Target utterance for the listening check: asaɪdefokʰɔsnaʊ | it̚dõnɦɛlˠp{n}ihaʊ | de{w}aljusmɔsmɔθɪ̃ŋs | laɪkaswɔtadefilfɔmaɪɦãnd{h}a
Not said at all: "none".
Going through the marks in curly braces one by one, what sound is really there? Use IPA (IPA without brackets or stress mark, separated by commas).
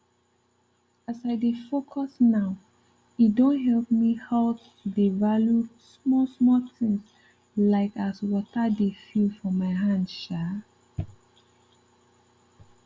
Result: m, v, ʃ